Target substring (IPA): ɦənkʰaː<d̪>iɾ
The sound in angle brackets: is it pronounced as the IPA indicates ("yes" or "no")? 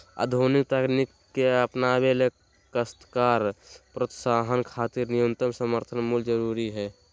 no